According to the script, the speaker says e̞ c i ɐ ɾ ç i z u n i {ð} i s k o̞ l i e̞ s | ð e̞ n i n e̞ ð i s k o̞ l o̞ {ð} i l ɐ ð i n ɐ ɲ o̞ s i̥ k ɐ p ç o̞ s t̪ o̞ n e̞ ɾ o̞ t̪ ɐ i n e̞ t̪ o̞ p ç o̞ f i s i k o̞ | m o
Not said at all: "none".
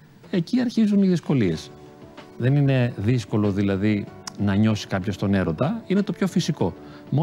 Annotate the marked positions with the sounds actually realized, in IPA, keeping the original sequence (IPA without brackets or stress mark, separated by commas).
ð, ð